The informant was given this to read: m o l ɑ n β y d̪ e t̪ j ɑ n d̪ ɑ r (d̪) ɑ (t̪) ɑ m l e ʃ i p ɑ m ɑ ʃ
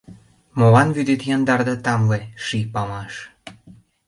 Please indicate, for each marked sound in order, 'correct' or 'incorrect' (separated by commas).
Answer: correct, correct